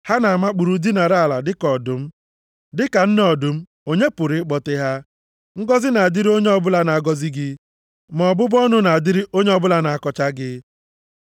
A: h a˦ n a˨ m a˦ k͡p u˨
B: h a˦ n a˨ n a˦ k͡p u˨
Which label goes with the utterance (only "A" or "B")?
A